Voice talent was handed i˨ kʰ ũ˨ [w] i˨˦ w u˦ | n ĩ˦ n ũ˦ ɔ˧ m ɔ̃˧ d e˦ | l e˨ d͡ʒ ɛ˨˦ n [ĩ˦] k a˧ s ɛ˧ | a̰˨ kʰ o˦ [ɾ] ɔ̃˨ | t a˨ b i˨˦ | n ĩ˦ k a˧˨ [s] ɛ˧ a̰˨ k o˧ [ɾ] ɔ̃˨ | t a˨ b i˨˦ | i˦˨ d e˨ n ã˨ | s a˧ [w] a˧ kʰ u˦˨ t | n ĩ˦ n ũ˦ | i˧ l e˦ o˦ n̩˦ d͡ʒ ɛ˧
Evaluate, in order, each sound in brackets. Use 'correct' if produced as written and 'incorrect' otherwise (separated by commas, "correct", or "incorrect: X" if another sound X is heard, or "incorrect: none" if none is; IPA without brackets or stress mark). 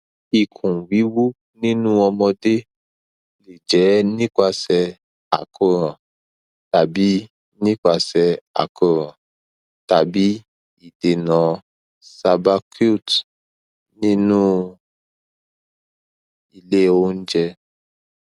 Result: correct, correct, correct, correct, correct, incorrect: b